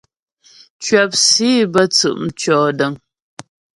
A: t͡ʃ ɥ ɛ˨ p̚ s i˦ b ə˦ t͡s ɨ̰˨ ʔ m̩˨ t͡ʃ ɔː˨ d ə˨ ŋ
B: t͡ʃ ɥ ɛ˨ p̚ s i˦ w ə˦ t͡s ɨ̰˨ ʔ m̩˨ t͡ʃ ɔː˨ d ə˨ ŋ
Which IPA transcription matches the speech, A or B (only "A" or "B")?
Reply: A